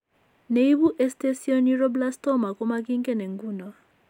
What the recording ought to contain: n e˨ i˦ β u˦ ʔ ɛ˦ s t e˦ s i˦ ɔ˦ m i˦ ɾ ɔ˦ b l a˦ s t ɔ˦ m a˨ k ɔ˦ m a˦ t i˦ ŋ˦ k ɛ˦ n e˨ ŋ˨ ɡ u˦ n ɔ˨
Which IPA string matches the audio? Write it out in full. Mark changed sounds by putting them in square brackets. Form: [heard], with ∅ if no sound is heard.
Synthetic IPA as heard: n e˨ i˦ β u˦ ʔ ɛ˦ s t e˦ s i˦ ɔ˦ [n] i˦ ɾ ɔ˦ b l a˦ s t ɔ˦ m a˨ k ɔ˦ m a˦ [k] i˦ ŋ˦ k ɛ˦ n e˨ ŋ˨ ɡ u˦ n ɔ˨

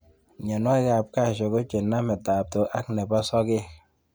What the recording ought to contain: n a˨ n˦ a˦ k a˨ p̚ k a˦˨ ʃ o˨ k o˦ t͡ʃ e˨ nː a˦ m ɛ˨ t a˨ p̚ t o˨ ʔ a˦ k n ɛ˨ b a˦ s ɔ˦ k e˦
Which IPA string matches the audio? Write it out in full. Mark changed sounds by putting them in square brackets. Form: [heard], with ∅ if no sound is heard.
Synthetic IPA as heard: [ɲ] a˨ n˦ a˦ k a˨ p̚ k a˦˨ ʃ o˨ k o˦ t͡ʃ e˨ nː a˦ m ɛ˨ t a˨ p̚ t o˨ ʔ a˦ k n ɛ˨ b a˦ s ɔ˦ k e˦

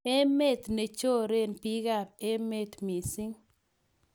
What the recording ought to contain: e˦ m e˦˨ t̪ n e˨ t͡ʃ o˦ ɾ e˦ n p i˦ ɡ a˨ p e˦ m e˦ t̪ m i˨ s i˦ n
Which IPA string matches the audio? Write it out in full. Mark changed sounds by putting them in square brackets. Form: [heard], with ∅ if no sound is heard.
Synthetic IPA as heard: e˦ m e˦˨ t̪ n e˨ t͡ʃ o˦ ɾ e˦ n p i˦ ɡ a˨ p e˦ m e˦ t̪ m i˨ s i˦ [ŋ]

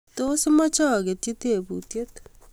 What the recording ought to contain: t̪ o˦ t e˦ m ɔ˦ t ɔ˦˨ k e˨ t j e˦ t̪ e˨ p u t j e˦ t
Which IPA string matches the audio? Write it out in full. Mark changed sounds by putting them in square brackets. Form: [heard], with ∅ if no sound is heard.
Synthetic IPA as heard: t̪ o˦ [s] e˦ m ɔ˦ [t͡ʃ] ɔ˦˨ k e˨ t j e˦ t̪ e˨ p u t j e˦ t

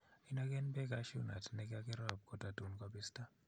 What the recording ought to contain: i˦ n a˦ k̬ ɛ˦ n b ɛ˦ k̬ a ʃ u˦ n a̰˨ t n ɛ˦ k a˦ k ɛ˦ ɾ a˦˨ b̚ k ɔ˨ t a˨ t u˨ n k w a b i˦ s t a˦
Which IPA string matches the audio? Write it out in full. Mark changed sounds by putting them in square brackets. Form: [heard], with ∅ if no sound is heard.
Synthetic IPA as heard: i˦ n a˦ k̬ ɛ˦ n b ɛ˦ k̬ a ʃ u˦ n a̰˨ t n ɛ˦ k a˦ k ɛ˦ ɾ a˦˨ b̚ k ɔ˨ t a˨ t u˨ n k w a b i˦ s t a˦

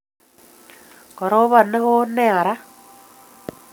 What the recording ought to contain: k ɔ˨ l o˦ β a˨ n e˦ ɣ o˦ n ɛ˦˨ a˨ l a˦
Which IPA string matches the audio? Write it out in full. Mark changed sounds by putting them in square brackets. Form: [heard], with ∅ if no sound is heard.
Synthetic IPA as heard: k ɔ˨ [ɾ] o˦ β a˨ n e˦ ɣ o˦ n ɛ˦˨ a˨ [ɾ] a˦

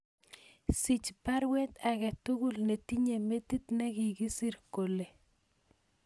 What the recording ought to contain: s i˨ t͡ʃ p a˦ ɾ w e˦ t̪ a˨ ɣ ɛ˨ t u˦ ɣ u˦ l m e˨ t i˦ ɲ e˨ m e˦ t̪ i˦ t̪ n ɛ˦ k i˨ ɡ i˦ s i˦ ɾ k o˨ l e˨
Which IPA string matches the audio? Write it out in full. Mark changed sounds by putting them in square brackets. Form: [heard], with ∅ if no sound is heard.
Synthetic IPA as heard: s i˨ t͡ʃ p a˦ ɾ w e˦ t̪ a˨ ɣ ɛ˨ t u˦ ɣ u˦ l [n] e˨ t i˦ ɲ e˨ m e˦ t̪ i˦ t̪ n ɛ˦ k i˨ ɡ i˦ s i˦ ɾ k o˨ l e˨

